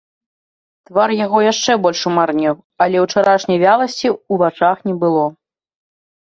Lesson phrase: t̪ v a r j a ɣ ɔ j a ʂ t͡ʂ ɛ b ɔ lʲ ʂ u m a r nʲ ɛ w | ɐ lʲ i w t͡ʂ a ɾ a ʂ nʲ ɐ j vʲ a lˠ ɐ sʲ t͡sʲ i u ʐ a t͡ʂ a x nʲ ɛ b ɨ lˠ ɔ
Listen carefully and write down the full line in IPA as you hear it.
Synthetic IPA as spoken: t̪ v a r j a ɣ ɔ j a ʂ t͡ʂ ɛ b ɔ lʲ ʂ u m a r nʲ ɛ w | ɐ lʲ ɛ w t͡ʂ a ɾ a ʂ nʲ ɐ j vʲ a lˠ ɐ sʲ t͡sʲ i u v a t͡ʂ a x nʲ ɛ b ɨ lˠ ɔ